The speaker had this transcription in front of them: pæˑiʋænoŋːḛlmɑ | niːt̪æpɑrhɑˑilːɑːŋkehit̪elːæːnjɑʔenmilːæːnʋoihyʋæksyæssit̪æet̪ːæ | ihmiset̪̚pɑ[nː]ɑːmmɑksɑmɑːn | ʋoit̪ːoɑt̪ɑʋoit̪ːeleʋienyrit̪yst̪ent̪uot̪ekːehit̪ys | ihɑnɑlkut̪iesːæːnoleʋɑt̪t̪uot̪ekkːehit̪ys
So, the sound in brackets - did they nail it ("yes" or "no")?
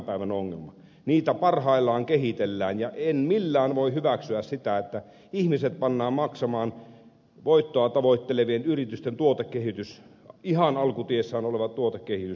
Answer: yes